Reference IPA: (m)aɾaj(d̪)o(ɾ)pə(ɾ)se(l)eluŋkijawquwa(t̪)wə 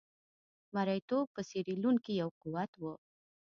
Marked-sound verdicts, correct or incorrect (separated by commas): correct, incorrect, incorrect, incorrect, incorrect, correct